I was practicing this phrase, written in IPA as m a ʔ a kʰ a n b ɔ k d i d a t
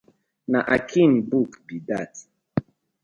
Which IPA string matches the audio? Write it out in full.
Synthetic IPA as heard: n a ʔ a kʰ i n b u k b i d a t